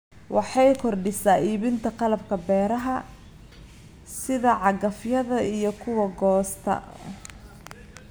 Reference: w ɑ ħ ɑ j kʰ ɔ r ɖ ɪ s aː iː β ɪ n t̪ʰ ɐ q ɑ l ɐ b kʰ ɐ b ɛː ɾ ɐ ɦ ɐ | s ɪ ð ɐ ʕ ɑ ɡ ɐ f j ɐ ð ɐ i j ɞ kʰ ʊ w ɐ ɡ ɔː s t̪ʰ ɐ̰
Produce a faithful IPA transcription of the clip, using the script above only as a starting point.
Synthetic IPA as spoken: w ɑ ħ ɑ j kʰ ɔ r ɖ ɪ s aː iː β ɪ n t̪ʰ ɐ q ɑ l ɐ b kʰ ɐ b ɛː ɾ ɐ ɦ ɐ | s ɪ ð ɐ ʕ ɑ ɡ ɐ f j ɐ ð ɐ i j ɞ kʰ ʊ w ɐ ɡ ɔː s t̪ʰ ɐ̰